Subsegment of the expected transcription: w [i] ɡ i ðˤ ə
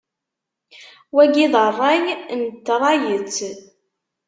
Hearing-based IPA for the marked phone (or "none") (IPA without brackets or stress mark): æ